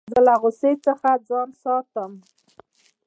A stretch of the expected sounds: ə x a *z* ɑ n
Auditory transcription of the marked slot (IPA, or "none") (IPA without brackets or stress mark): d͡z